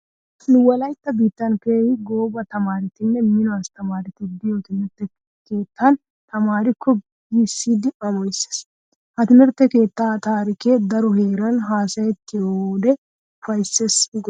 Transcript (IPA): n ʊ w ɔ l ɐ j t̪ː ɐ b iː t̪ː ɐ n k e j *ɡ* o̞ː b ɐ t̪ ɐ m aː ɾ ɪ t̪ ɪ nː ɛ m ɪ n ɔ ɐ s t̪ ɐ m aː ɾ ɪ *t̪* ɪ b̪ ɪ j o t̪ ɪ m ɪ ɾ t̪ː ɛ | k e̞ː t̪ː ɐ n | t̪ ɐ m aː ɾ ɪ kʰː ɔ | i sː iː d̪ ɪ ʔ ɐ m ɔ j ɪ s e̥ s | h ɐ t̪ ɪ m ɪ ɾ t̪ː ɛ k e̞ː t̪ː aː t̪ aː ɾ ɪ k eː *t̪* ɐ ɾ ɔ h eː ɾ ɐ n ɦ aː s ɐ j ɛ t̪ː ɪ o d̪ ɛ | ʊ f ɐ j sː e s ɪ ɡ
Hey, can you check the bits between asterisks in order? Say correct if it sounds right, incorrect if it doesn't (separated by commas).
correct, correct, incorrect